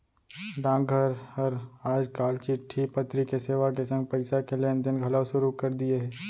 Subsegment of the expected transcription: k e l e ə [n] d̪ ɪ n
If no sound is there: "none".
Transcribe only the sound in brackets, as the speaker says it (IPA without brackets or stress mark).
n